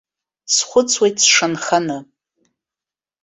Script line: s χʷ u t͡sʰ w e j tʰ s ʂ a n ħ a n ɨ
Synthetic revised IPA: s χʷ ʊ t͡sʰ w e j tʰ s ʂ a n χ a n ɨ